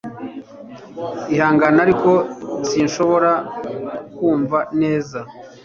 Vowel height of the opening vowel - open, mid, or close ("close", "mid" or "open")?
close